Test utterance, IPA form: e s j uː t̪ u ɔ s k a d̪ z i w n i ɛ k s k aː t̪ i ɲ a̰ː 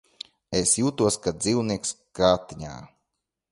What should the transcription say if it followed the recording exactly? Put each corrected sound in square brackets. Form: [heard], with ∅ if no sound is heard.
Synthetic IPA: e s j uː t̪ u ɔ s k a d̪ z i w n i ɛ k s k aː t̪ i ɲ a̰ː